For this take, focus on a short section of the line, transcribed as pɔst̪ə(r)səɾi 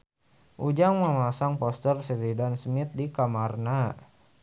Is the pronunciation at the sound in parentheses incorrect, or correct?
correct